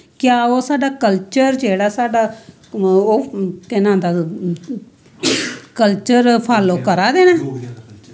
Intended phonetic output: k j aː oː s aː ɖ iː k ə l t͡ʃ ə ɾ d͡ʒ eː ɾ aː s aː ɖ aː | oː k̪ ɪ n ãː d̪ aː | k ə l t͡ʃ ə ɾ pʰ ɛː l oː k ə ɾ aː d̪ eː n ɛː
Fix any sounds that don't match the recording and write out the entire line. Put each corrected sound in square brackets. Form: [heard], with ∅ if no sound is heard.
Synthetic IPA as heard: k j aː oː s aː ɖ [aː] k ə l t͡ʃ ə ɾ d͡ʒ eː [ɽ] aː s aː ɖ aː | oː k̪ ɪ n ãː d̪ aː | k ə l t͡ʃ ə ɾ pʰ [aː] l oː k ə ɾ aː d̪ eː n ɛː